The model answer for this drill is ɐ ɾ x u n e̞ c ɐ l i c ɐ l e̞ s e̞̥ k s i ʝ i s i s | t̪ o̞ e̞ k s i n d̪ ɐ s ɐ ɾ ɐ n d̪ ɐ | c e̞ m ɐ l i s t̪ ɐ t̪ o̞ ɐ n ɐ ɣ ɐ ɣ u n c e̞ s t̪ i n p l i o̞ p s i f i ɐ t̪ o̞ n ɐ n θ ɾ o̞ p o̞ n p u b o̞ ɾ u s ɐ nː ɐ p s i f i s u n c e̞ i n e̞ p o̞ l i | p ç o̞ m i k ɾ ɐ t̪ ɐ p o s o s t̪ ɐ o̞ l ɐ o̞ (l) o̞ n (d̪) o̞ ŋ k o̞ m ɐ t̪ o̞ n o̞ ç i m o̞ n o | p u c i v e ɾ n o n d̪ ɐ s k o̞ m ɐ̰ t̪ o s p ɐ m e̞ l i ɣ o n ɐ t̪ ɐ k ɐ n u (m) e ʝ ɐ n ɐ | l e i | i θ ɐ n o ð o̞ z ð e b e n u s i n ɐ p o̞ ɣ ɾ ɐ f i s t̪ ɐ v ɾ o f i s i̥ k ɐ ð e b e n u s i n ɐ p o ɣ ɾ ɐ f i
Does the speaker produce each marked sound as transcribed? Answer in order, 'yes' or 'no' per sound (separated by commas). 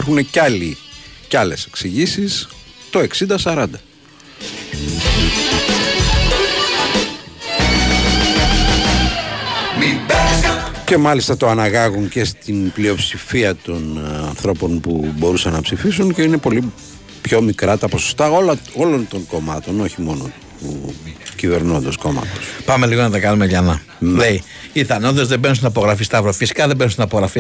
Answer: yes, no, yes